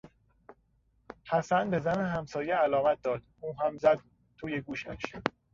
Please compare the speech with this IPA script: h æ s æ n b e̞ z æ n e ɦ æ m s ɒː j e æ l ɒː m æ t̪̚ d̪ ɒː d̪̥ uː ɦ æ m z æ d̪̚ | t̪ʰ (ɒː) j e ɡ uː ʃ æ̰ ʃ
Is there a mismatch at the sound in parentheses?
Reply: yes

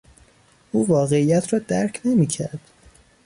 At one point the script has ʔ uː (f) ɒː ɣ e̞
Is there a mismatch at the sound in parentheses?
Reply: yes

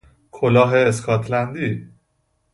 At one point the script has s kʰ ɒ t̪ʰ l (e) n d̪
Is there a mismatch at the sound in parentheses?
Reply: yes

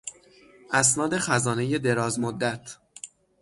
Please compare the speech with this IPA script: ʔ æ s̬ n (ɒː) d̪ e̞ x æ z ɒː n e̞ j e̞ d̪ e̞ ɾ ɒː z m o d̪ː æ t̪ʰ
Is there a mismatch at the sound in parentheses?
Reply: no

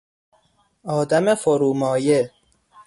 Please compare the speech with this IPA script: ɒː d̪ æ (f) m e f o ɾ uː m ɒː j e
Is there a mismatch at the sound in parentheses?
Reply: yes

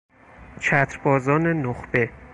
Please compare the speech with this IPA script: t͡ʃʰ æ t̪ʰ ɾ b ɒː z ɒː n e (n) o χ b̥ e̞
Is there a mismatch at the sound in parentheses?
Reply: no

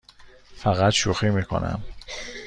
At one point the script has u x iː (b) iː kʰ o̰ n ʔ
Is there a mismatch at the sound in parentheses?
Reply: yes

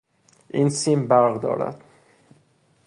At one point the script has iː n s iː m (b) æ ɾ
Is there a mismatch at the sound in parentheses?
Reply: no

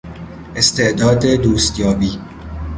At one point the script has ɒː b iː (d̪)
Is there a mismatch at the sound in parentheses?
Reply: yes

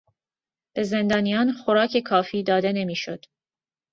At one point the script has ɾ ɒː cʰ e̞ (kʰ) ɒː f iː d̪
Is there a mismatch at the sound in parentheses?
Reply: no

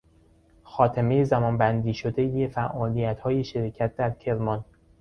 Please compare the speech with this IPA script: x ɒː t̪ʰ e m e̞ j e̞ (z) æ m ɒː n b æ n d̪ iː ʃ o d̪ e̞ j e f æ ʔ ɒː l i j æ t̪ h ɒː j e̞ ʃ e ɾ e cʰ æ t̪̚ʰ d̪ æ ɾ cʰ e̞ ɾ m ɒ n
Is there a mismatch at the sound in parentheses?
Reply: no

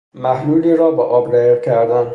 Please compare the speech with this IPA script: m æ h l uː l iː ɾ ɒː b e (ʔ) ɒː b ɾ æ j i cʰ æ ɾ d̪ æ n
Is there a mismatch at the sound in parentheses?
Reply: no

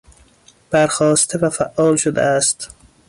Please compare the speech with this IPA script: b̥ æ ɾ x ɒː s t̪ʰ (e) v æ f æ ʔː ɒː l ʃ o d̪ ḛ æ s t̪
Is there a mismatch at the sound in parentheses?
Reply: no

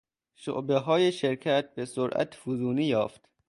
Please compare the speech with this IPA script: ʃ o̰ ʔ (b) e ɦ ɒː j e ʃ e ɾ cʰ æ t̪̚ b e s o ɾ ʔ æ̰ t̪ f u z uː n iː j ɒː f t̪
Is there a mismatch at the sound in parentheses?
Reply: no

